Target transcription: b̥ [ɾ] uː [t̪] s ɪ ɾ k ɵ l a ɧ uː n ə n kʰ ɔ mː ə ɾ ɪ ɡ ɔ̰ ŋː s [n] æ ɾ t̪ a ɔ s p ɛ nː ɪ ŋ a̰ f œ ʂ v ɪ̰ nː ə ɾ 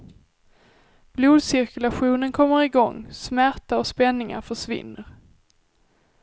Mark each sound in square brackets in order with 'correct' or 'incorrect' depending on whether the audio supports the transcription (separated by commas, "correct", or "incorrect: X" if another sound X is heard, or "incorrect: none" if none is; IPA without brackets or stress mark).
incorrect: l, incorrect: d̪, incorrect: m